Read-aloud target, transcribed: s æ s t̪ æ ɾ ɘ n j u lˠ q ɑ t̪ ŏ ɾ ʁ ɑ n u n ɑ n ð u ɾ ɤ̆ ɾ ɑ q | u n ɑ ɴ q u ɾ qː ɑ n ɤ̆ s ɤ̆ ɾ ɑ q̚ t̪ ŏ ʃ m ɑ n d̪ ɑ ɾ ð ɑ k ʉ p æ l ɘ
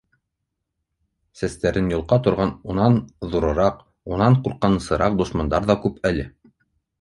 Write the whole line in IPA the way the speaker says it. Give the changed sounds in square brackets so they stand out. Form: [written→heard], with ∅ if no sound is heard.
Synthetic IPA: s æ s t̪ æ ɾ ɘ n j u lˠ q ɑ t̪ ŏ ɾ ʁ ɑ n u n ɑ n ð u ɾ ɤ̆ ɾ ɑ q | u n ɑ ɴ q u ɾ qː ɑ n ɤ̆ s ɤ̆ ɾ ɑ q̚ [t̪→d̪] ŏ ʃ m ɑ n d̪ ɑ ɾ ð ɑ k ʉ p æ l ɘ